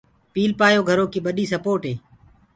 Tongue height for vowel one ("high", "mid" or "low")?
high